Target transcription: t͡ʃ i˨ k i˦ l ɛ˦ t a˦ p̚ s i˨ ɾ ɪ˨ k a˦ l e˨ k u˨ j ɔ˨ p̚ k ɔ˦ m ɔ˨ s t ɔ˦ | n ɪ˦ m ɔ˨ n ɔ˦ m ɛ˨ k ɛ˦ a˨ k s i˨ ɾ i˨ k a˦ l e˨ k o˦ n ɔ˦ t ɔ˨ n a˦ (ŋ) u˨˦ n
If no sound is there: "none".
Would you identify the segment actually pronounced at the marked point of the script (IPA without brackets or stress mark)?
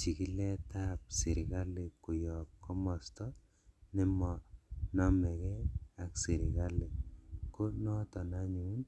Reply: ɲ